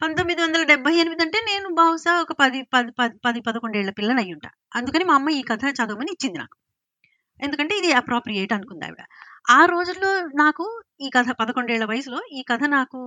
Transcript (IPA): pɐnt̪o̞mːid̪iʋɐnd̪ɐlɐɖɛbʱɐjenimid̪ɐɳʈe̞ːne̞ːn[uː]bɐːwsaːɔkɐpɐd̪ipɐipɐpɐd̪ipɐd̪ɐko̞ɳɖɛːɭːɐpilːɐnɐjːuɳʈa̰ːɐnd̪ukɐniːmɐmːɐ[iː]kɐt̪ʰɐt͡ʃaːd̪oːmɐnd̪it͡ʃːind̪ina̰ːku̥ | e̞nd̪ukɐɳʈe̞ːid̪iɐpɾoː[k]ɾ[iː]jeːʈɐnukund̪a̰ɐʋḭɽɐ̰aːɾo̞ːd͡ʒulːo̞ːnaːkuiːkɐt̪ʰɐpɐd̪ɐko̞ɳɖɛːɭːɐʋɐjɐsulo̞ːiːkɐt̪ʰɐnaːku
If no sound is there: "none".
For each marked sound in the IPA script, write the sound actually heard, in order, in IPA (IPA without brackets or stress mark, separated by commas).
u, iː, p, i